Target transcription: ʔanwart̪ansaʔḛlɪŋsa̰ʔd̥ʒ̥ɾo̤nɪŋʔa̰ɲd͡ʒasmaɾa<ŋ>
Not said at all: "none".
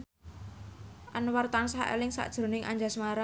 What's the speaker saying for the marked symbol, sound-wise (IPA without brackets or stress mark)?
none